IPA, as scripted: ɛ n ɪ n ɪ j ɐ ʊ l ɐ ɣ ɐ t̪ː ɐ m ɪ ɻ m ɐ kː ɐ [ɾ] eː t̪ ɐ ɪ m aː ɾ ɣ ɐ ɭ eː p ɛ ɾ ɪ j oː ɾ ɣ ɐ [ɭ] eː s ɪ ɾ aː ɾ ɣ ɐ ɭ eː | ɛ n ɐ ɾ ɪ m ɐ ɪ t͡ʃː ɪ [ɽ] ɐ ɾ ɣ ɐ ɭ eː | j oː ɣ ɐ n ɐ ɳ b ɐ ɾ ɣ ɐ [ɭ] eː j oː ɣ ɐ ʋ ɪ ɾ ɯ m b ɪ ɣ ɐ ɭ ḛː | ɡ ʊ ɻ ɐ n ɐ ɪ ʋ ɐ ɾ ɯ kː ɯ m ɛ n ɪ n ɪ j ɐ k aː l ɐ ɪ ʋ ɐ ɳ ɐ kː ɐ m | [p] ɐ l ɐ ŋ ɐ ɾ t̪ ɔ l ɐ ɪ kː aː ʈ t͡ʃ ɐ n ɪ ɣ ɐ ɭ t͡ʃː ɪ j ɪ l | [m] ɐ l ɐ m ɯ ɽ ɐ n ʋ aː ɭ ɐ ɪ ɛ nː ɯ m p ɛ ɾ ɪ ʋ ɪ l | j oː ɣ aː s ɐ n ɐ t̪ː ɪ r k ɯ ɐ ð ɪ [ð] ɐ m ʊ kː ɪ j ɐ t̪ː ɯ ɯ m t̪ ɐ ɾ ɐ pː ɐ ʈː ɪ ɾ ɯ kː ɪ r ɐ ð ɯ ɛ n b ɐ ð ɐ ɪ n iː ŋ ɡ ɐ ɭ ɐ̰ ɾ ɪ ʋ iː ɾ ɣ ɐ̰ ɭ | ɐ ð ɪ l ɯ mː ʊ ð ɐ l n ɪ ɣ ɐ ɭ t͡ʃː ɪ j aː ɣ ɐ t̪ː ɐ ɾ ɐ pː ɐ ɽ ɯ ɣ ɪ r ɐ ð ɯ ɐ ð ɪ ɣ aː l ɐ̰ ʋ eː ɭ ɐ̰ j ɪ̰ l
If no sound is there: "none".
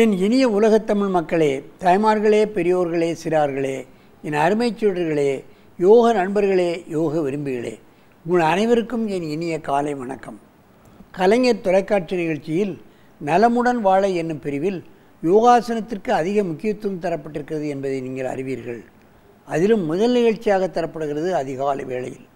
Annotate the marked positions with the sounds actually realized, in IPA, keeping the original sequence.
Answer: ɭ, ɭ, ɽ, ɭ, k, n, ɣ

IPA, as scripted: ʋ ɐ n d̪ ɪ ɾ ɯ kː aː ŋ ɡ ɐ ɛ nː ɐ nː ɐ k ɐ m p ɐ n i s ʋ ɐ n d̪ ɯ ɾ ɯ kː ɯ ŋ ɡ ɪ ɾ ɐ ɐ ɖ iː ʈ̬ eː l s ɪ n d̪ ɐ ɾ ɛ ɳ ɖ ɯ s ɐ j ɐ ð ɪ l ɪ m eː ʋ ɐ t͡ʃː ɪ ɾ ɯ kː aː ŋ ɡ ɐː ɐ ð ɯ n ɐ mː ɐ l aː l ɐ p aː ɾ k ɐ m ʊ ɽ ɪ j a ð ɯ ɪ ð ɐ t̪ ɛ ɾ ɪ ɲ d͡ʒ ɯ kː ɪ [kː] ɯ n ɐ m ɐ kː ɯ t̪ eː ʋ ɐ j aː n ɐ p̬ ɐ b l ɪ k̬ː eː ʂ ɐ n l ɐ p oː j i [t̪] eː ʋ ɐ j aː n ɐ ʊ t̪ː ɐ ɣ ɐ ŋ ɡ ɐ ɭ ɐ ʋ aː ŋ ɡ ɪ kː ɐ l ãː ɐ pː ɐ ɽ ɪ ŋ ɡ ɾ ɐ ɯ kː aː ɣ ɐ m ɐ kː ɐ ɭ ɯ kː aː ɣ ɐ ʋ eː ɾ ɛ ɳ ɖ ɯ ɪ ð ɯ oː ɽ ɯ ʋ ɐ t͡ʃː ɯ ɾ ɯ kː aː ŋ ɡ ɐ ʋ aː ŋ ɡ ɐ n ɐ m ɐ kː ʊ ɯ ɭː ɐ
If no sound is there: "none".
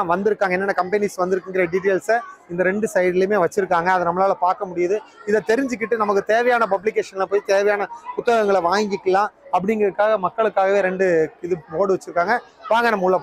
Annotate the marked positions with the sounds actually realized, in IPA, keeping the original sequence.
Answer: ʈː, t̪

